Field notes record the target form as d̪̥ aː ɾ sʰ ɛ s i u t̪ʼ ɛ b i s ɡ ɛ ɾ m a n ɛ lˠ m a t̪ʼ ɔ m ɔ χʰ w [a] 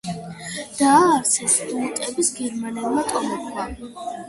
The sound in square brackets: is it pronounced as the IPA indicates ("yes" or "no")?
yes